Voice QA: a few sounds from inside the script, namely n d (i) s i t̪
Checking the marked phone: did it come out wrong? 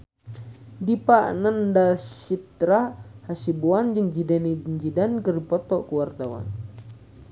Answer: yes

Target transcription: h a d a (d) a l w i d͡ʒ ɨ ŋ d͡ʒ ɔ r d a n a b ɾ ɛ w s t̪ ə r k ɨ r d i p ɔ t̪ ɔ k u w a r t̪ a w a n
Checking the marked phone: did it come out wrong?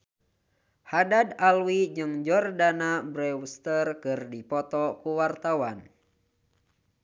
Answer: no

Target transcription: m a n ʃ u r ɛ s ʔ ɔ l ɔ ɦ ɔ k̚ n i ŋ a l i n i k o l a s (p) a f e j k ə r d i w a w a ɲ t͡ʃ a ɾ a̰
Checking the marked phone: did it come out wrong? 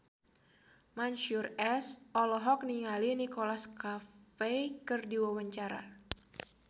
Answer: yes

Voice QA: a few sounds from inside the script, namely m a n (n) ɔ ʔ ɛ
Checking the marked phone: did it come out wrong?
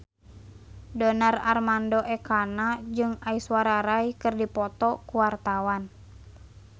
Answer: yes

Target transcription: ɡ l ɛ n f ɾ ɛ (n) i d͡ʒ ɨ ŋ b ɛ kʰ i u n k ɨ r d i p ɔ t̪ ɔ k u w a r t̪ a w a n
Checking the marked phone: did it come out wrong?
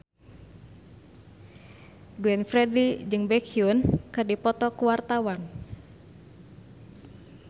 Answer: yes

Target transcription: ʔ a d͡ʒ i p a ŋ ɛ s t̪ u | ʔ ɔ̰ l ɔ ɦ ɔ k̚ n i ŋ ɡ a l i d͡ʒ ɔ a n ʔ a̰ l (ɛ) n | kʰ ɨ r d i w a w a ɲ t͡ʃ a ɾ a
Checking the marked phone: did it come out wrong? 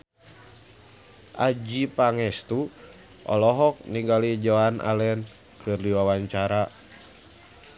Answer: no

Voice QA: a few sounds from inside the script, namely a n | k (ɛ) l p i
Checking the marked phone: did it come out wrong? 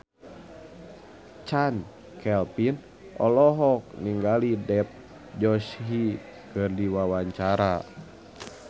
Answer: no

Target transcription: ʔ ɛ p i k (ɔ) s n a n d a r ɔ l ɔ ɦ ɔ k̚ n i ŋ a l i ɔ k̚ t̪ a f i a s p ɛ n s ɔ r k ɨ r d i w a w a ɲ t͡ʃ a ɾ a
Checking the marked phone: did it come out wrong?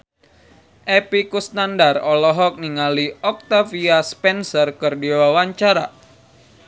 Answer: yes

